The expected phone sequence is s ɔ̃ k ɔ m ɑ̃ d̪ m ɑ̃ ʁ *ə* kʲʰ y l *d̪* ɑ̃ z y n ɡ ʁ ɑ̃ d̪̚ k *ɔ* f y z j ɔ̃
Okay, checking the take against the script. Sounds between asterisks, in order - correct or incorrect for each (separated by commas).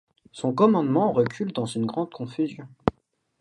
correct, correct, incorrect